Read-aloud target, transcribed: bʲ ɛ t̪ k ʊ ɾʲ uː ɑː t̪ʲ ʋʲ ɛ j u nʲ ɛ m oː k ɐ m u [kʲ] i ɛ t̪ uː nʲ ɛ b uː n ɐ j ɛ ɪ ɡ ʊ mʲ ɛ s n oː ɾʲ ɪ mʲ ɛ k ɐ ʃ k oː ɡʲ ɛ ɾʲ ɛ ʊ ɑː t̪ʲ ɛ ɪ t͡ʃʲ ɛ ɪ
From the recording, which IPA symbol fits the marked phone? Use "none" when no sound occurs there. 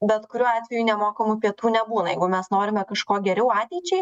pʲ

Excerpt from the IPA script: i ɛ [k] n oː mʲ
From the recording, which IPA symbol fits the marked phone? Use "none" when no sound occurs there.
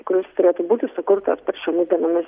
none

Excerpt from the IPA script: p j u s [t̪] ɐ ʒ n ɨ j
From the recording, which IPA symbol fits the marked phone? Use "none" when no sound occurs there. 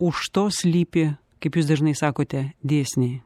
d̪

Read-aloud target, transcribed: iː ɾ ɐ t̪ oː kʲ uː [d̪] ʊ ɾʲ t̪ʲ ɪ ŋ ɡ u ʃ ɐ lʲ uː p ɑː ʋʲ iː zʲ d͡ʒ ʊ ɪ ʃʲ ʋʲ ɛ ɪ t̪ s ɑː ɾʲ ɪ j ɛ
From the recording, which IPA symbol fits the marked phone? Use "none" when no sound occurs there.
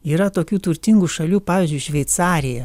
t̪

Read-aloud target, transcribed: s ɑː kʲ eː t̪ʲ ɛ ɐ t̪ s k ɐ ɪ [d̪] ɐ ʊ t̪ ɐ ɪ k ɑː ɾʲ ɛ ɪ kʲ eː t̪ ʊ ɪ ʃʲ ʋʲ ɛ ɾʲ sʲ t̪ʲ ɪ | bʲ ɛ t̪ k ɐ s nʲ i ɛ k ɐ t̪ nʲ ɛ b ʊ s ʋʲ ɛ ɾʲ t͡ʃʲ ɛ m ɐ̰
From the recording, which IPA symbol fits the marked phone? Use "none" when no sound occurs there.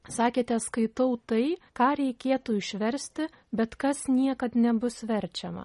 t̪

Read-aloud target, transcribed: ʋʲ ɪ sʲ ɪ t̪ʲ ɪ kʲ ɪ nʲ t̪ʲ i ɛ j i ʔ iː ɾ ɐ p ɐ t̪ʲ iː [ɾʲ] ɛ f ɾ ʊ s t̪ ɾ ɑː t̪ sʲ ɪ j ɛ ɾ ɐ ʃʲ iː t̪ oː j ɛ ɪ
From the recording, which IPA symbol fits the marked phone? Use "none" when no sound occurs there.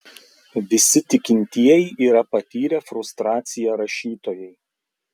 ɾʲ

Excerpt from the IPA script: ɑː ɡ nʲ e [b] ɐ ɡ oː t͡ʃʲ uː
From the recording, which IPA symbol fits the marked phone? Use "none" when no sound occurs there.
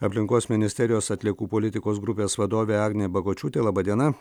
b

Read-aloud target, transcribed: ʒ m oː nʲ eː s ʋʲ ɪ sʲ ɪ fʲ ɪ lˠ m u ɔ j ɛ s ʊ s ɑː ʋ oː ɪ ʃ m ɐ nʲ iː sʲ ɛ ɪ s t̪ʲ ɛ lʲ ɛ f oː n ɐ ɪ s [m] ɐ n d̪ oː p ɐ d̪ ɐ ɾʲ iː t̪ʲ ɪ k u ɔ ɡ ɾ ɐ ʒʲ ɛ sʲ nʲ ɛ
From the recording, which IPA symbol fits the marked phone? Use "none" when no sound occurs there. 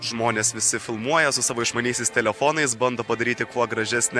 b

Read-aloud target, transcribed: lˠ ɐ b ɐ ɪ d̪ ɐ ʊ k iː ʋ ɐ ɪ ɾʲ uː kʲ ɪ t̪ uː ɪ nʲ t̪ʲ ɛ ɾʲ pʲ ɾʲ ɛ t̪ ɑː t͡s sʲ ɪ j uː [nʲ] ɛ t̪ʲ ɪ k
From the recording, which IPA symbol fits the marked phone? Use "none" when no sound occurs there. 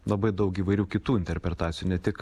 nʲ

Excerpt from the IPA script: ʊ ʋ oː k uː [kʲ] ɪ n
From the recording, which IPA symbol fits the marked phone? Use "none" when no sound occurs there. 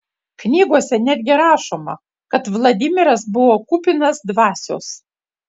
pʲ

